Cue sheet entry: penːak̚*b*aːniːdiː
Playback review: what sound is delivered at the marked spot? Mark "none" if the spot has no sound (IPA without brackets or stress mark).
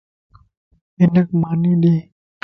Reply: m